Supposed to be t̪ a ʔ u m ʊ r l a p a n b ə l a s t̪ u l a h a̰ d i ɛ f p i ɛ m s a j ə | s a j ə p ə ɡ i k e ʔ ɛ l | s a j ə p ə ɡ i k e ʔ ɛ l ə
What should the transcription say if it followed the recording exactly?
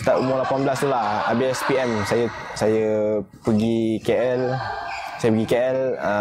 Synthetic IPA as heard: t̪ a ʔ u m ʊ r l a p a n b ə l a s t̪ u l a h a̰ b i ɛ s p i ɛ m s a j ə | s a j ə p ə ɡ i k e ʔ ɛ l | s a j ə p ə ɡ i k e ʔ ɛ l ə

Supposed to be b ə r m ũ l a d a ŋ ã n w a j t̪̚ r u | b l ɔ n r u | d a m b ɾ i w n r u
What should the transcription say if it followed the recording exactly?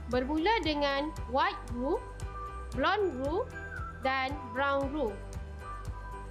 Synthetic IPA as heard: b ə r m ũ l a d ə ŋ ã n w a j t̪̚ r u | b l ɔ n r u | d a n b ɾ a w n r u

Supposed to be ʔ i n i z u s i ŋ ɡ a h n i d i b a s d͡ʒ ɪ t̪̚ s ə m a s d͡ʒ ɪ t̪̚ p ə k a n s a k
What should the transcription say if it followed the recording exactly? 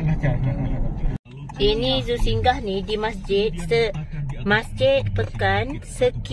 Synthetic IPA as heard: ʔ i n i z u s i ŋ ɡ a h n i d i m a s d͡ʒ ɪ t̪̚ s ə m a s d͡ʒ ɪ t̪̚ p ə k a n s ə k

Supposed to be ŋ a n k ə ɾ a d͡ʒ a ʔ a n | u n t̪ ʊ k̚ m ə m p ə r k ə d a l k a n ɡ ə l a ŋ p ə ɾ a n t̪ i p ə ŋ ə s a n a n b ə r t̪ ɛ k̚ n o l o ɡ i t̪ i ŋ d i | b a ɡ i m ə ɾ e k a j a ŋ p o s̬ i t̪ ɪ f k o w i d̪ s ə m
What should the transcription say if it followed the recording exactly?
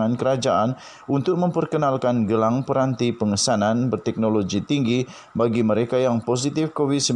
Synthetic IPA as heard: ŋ a n k ə ɾ a d͡ʒ a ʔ a n | u n t̪ ʊ k̚ m ə m p ə r k ə n a l k a n ɡ ə l a ŋ p ə ɾ a n t̪ i p ə ŋ ə s a n a n b ə r t̪ ɛ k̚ n o l o ɡ i t̪ i ŋ ɡ i | b a ɡ i m ə ɾ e k a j a ŋ p o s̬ i t̪ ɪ f k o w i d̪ s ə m

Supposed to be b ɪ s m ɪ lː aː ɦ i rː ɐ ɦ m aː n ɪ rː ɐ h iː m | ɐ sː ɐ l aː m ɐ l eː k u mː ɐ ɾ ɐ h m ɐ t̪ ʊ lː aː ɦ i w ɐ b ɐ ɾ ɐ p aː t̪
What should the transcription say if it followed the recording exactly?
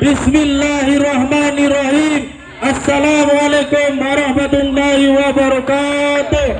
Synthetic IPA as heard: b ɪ s m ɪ lː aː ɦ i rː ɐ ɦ m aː n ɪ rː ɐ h iː m | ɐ sː ɐ l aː m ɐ l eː k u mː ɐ ɾ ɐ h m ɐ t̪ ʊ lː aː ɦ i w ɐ b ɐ ɾ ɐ k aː t̪

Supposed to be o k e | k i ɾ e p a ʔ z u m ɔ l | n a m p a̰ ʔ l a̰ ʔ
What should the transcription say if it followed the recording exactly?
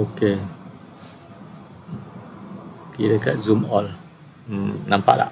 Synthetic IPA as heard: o k e | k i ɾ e k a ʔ z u m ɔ l | n a m p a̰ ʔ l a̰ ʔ

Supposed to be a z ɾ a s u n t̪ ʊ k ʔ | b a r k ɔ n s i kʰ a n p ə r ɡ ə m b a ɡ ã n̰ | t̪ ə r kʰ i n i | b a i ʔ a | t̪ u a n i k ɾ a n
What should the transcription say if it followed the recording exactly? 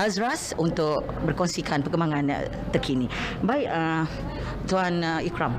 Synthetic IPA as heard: a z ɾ a s u n t̪ ʊ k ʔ | b ə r k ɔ n s i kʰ a n p ə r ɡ ə m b a ŋ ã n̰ | t̪ ə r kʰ i n i | b a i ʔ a | t̪ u a n i k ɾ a m

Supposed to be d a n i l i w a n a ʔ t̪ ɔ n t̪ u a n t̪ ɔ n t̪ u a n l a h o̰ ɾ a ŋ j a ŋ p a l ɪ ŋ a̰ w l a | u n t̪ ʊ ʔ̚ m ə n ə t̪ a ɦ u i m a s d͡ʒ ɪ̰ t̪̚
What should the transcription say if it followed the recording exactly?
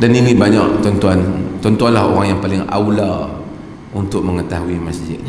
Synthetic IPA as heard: d a n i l i b a ɲ a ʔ t̪ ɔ n t̪ u a n t̪ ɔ n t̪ u a n l a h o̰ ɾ a ŋ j a ŋ p a l ɪ ŋ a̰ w l a | u n t̪ ʊ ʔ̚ m ə ŋ ə t̪ a ɦ u i m a s d͡ʒ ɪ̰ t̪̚

